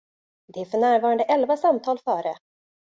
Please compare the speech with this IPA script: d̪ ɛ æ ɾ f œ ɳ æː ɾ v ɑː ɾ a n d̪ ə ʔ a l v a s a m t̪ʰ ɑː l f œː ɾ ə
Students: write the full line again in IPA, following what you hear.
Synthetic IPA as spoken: d̪ ɛ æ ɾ f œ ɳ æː ɾ v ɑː ɾ a n d̪ ə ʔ ɛ l v a s a m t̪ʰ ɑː l f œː ɾ ə